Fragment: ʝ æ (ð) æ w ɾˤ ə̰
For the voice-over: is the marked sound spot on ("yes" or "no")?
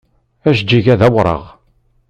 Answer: yes